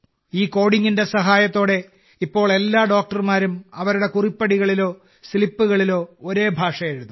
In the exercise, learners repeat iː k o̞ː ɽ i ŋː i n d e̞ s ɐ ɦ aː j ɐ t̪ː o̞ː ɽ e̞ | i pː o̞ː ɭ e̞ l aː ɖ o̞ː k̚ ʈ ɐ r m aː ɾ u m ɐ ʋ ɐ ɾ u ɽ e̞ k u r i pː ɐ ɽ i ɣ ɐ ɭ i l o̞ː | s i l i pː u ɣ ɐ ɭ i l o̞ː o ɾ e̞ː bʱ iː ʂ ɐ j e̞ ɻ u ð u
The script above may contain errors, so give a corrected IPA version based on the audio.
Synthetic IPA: iː k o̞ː ɽ i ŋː i n d e̞ s ɐ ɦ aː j ɐ t̪ː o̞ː ɽ e̞ | i pː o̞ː ɭ e̞ lː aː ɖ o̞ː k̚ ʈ ɐ r m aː ɾ u m ɐ ʋ ɐ ɾ u ɽ e̞ k u r i pː ɐ ɽ i ɣ ɐ ɭ i l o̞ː | s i l i pː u ɣ ɐ ɭ i l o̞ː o ɾ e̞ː bʱ aː ʂ ɐ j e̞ ɻ u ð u

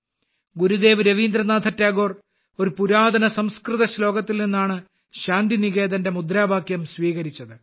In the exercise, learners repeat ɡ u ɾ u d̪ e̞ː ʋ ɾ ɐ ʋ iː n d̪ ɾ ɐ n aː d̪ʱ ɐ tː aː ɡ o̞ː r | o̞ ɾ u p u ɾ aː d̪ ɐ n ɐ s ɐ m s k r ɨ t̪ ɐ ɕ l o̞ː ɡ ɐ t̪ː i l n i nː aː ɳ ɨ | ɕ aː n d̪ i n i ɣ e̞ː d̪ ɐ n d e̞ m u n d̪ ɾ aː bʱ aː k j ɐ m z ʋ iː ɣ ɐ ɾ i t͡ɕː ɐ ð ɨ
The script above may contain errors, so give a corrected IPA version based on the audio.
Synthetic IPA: ɡ u ɾ u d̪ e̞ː ʋ ɾ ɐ ʋ iː n d̪ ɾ ɐ n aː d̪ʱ ɐ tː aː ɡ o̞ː r | o̞ ɾ u p u ɾ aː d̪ ɐ n ɐ s ɐ m s k r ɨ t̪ ɐ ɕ l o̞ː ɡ ɐ t̪ː i l n i nː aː ɳ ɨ | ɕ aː n d̪ i n i ɣ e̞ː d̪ ɐ n d e̞ m u d̪ ɾ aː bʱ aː k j ɐ m s ʋ iː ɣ ɐ ɾ i t͡ɕː ɐ ð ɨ

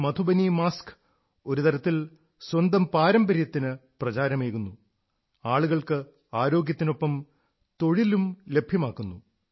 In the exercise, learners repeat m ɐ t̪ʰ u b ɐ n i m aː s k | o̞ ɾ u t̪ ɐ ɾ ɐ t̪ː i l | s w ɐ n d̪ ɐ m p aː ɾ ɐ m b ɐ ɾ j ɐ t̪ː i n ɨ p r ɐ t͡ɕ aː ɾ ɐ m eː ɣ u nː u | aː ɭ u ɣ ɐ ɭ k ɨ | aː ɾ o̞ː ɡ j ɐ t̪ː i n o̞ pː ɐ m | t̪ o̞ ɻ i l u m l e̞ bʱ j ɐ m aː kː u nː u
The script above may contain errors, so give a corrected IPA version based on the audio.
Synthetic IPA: m ɐ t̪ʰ u b ɐ n i m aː s k | o̞ ɾ u t̪ ɐ ɾ ɐ t̪ː i l | s w ɐ n d̪ ɐ m p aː ɾ ɐ m b ɐ ɾ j ɐ t̪ː i n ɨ p r ɐ t͡ɕ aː ɾ ɐ m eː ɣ u nː u | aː ɭ u ɣ ɐ ɭ k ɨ | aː ɾ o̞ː ɡ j ɐ t̪ː i n o̞ pː ɐ m | t̪ o̞ ɻ i l u m l e̞ bʱ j ɐ m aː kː u nː u

